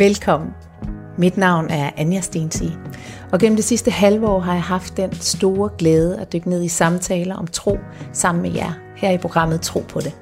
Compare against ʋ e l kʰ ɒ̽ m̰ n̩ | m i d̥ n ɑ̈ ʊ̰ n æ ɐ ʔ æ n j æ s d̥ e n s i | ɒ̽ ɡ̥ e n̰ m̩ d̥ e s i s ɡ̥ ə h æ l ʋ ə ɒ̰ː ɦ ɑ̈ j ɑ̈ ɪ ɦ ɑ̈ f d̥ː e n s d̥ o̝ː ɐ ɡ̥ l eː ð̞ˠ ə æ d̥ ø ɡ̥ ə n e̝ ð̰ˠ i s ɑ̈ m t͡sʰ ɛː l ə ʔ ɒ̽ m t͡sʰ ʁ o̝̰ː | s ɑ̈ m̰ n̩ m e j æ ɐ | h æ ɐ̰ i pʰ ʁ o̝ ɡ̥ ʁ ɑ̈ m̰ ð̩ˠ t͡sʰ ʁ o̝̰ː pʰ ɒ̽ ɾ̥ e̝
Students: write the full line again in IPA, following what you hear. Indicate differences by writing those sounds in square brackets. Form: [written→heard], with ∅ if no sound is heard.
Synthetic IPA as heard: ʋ e l kʰ ɒ̽ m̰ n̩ | m i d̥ n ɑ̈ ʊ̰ n æ ɐ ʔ æ n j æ s d̥ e n s i | ɒ̽ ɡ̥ e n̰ m̩ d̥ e s i s [ɡ̥→d̥] ə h æ l ʋ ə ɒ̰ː ɦ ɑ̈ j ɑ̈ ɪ ɦ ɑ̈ f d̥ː e n s d̥ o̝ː ɐ ɡ̥ l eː ð̞ˠ ə æ d̥ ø ɡ̥ ə n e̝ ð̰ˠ i s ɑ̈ m t͡sʰ ɛː l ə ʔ ɒ̽ m t͡sʰ ʁ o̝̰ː | s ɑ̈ m̰ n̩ m e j æ ɐ | h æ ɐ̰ i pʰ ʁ o̝ ɡ̥ ʁ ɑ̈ m̰ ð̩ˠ t͡sʰ ʁ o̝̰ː pʰ ɒ̽ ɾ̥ e̝